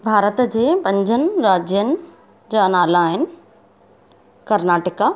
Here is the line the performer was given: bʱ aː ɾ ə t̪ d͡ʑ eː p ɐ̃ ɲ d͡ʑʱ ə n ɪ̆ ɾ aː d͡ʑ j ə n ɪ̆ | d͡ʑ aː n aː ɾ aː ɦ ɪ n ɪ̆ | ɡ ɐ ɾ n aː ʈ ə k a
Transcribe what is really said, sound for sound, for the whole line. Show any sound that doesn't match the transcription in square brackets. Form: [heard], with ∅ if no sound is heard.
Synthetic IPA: bʱ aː ɾ ə t̪ d͡ʑ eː p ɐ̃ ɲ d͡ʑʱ ə n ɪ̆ ɾ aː d͡ʑ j ə n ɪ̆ | d͡ʑ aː n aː [l] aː ɦ ɪ n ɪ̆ | [k] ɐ ɾ n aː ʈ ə k a